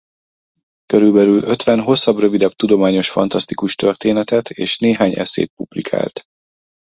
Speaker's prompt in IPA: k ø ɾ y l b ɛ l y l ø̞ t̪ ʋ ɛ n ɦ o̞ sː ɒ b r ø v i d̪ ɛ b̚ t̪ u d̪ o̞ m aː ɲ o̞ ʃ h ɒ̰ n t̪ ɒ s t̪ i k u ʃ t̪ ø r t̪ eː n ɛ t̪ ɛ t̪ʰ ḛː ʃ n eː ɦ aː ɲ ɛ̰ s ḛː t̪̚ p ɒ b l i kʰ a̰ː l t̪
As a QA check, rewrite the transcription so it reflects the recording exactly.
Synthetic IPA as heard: k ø ɾ y l b ɛ l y l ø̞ t̪ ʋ ɛ n ɦ o̞ sː ɒ b r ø v i d̪ ɛ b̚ t̪ u d̪ o̞ m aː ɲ o̞ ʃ f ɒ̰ n t̪ ɒ s t̪ i k u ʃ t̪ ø r t̪ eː n ɛ t̪ ɛ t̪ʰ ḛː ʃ n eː ɦ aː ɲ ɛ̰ s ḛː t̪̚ p u b l i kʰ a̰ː l t̪